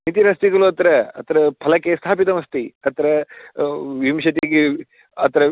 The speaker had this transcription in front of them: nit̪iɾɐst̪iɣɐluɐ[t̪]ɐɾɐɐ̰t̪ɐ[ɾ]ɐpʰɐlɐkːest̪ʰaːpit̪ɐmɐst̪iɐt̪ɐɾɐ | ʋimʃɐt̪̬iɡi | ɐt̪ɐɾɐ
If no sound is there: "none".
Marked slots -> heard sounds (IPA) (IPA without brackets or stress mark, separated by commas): t̪, ɾ